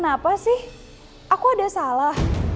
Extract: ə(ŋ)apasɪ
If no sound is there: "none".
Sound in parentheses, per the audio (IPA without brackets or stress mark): n